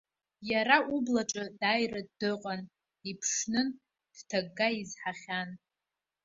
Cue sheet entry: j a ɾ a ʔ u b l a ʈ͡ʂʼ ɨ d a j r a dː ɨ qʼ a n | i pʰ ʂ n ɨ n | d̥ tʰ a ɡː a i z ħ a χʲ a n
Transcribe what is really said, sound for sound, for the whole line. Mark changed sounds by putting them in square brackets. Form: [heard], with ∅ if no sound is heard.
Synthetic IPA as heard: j a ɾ a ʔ u b l a ʈ͡ʂʼ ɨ d a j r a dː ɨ qʼ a n | i pʰ ʂ n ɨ n | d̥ tʰ a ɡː a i z ħ a χʲ a n

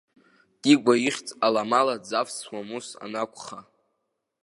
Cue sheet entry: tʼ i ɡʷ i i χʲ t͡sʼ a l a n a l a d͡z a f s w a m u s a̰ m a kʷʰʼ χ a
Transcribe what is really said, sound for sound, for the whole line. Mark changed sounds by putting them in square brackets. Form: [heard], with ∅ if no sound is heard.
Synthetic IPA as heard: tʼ i ɡʷ [a] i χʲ t͡sʼ a l a [m] a l a d͡z a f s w a m u s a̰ [n] a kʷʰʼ χ a

